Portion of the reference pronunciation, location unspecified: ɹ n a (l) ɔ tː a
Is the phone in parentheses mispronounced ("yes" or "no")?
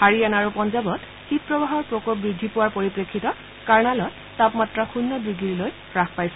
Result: no